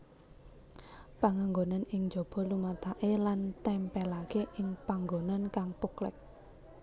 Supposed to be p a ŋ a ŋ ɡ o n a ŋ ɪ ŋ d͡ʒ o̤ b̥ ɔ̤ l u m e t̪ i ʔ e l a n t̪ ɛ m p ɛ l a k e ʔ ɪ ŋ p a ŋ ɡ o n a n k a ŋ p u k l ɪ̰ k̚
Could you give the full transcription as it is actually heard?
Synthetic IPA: p a ŋ a ŋ ɡ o n a n ɪ ŋ d͡ʒ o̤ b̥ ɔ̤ l u m a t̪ a ʔ e l a n t̪ ɛ m p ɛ l a k e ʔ ɪ ŋ p a ŋ ɡ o n a n k a ŋ p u k l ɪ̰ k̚

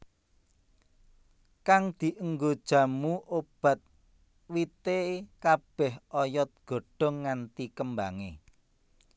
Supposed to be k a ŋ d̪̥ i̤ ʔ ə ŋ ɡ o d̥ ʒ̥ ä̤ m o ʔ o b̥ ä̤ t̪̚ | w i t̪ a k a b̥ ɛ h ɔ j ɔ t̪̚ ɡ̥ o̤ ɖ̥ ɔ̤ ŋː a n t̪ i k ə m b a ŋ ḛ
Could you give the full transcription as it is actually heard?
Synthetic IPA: k a ŋ d̪̥ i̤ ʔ ə ŋ ɡ o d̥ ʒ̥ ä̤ m u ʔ o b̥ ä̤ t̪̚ | w i t̪ e k a b̥ ɛ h ɔ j ɔ t̪̚ ɡ̥ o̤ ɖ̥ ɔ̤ ŋː a n t̪ i k ə m b a ŋ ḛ

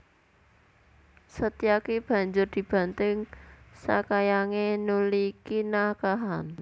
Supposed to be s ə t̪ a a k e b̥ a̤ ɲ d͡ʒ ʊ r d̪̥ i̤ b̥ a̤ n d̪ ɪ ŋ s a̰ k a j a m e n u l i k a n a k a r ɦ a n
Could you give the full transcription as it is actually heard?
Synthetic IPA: s ə t̪ i a k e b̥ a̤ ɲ d͡ʒ ʊ r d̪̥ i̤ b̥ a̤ n t̪ ɪ ŋ s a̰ k a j a ŋ e n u l i k i n a k a ɦ a n

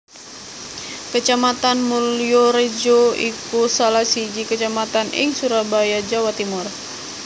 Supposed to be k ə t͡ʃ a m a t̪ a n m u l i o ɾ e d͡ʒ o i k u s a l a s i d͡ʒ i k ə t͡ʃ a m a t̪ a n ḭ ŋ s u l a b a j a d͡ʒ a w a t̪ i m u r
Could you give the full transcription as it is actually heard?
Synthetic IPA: k ə t͡ʃ a m a t̪ a n m u l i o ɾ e d͡ʒ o i k u s a l a s i d͡ʒ i k ə t͡ʃ a m a t̪ a n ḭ ŋ s u ɾ a b a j a d͡ʒ a w a t̪ i m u r

